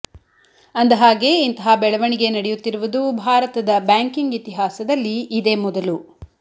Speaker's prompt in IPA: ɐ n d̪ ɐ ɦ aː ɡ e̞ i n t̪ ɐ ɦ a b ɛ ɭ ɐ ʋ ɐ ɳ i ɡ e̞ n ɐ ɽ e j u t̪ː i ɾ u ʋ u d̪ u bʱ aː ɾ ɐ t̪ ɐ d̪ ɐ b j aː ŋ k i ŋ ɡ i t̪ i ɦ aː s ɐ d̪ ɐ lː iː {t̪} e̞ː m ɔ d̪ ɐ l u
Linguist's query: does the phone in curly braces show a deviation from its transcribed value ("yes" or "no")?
yes